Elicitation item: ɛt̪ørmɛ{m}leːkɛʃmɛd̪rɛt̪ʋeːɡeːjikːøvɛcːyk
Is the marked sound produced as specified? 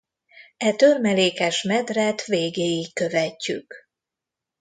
no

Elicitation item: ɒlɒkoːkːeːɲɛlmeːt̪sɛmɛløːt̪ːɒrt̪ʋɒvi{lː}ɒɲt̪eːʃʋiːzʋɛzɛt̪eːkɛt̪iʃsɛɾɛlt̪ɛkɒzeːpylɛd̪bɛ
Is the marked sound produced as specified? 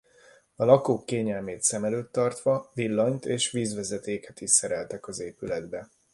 yes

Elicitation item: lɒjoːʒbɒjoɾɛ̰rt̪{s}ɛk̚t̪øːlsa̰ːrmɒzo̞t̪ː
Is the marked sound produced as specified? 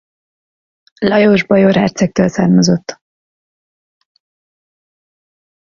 yes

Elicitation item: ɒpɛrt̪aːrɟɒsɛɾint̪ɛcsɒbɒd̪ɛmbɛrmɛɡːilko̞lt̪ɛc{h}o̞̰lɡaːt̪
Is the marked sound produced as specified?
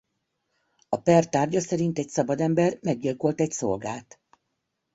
no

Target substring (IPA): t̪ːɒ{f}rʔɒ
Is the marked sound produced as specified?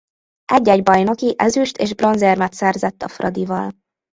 yes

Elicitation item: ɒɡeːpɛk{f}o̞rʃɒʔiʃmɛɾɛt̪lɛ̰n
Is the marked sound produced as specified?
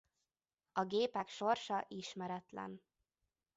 no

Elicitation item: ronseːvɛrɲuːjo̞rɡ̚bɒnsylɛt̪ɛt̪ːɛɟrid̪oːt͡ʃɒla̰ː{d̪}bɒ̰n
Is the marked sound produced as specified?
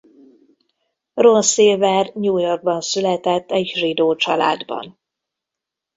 yes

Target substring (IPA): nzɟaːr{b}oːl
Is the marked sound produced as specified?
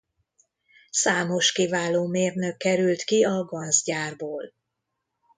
yes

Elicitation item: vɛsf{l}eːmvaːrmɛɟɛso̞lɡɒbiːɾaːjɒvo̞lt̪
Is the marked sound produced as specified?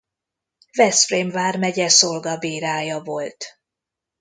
no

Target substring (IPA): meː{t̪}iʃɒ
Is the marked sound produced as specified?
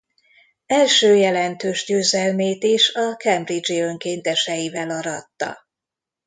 yes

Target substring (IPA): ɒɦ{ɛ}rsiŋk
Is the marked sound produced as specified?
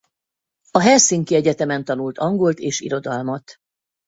yes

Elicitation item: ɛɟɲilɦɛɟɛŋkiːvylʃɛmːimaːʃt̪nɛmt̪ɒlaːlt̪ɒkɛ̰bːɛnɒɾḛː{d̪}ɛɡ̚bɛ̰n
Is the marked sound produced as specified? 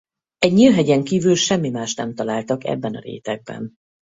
no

